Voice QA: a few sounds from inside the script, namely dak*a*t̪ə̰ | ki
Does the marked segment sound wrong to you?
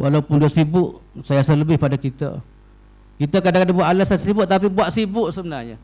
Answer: yes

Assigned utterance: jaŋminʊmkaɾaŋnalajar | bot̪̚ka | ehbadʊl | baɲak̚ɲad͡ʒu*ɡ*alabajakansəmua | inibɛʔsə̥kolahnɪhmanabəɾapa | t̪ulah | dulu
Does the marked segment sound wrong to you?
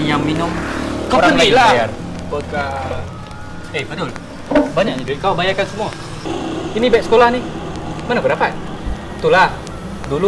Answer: yes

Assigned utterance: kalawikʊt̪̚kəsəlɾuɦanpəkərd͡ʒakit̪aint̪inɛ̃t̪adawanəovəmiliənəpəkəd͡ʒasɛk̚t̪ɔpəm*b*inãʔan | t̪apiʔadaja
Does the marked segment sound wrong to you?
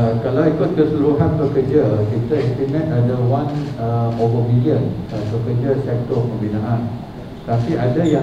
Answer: no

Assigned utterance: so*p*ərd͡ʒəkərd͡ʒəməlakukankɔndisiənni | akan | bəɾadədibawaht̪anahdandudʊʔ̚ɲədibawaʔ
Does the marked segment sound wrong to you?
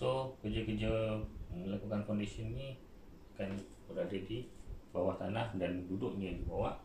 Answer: yes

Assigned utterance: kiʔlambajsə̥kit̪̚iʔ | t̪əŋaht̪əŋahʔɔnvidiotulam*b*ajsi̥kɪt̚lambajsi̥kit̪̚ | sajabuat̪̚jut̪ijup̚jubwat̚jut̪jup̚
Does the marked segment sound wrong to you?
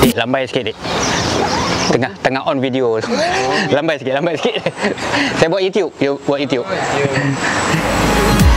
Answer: no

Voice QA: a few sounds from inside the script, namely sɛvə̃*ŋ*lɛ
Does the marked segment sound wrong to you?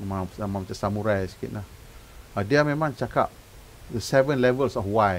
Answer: yes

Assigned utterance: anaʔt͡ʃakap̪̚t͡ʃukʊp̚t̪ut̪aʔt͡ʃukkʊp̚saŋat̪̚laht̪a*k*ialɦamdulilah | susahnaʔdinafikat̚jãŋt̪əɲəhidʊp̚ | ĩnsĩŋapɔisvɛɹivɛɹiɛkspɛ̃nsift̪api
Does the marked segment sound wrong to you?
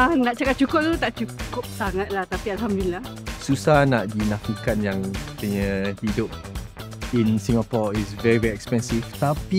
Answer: yes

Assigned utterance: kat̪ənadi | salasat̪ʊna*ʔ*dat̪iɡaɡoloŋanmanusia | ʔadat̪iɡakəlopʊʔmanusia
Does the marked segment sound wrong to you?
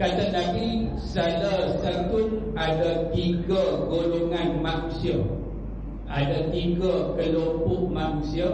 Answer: yes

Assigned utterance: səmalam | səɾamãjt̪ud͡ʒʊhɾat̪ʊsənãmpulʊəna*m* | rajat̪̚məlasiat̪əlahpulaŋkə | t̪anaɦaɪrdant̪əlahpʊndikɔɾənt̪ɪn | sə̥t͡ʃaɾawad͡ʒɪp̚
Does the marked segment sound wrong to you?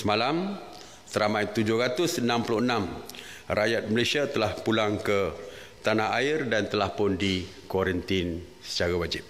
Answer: no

